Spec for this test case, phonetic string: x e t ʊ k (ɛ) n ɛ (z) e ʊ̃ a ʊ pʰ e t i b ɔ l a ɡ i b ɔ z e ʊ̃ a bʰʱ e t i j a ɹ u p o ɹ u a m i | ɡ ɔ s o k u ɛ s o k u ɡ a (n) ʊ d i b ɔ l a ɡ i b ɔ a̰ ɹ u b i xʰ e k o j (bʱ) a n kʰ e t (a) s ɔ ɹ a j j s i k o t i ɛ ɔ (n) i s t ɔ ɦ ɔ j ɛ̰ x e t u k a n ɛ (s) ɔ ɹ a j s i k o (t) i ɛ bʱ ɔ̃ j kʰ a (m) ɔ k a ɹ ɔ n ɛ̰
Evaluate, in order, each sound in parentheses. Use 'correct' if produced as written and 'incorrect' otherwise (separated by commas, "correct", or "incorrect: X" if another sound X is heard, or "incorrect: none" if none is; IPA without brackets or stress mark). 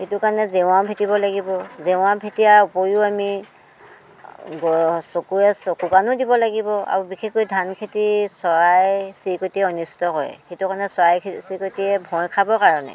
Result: incorrect: a, correct, correct, incorrect: dʱ, incorrect: i, correct, correct, correct, incorrect: b